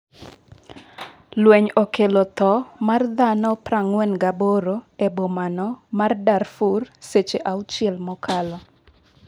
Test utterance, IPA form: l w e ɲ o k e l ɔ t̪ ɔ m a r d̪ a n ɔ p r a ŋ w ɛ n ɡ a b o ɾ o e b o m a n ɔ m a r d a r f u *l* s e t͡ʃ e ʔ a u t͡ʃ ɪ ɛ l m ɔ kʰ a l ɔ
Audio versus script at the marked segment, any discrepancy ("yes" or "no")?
yes